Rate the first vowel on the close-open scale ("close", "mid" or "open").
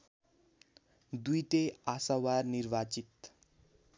close